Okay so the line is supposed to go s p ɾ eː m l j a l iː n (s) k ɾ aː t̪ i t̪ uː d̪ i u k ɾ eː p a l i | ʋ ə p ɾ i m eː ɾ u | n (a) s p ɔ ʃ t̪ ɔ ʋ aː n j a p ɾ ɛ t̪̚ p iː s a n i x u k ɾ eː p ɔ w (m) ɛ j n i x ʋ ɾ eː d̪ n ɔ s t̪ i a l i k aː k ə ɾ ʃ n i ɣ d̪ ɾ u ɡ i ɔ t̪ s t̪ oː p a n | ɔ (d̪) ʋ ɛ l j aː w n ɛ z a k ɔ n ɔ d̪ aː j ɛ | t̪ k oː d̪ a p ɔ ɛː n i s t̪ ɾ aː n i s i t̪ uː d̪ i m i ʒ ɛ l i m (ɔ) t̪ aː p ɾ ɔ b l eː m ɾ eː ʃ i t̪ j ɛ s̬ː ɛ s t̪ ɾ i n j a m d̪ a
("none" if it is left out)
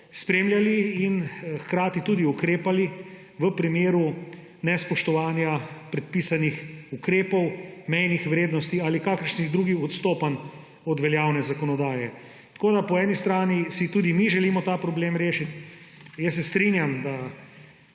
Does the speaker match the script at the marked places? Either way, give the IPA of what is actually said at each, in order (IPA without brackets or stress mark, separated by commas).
x, ɛ, m, d̪, ɔ